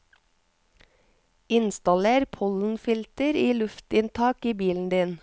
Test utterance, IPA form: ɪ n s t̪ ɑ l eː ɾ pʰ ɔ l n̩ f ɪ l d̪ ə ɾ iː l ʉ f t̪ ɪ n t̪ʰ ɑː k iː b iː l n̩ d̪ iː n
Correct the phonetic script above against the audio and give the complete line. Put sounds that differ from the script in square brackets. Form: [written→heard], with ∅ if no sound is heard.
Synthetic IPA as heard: ɪ n s t̪ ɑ l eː ɾ pʰ ɔ l n̩ f ɪ l [d̪→t̪] ə ɾ iː l ʉ f t̪ ɪ n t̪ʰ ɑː k iː b iː l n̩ d̪ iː n